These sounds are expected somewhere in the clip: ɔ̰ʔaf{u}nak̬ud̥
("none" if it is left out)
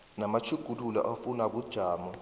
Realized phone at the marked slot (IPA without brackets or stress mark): u